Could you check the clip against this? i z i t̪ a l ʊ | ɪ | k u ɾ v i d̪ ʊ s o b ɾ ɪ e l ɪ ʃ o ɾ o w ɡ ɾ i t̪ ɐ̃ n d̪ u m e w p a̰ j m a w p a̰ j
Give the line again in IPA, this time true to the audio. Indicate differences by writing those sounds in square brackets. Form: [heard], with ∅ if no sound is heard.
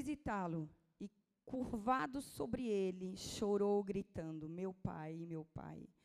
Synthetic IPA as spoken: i z i t̪ a l ʊ | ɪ | k u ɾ v [a] d̪ ʊ s o b ɾ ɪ e l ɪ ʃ o ɾ o w ɡ ɾ i t̪ ɐ̃ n d̪ [ʊ] m e w p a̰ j m [e] w p a̰ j